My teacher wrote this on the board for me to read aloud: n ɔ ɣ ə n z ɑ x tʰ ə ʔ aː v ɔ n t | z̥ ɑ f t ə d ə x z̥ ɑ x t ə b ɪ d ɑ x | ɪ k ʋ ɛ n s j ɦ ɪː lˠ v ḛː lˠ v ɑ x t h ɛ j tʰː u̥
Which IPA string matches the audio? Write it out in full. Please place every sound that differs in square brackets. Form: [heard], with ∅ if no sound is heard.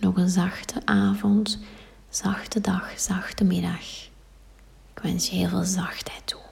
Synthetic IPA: n ɔ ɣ ə n z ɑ x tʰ ə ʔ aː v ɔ n t | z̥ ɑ [x] t ə d [ɑ] x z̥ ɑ x t ə [m] ɪ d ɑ x | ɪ k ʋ ɛ n s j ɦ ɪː lˠ v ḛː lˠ [z] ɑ x t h ɛ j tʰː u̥